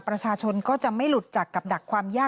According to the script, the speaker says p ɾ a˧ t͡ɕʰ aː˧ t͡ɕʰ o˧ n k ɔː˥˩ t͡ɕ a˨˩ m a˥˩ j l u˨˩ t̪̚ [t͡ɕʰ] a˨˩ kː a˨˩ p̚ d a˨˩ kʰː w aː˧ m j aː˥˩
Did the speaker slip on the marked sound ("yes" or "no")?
yes